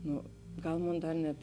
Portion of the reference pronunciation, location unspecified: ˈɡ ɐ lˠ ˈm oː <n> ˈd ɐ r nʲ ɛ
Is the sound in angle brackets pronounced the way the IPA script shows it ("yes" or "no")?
yes